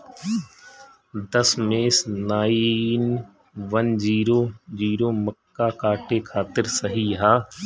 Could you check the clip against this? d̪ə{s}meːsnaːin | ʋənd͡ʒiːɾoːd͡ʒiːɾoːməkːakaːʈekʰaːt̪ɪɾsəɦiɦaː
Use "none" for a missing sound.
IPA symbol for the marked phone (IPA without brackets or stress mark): s